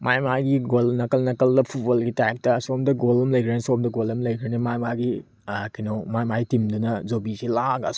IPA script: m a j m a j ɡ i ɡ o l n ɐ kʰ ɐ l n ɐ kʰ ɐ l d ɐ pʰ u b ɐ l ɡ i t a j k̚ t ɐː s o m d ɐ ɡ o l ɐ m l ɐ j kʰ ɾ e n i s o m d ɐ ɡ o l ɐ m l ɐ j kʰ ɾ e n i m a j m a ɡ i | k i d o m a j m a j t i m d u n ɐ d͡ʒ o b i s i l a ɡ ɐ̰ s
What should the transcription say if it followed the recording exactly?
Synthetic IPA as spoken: m a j m a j ɡ i ɡ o l n ɐ k ɐ l n ɐ k ɐ l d ɐ pʰ u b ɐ l ɡ i t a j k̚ t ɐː s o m d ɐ ɡ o l ɐ m l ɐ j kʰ ɾ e n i s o m d ɐ ɡ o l ɐ m l ɐ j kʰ ɾ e n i m a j m a ɡ i | k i n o m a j m a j t i m d u n ɐ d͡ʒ o b i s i l a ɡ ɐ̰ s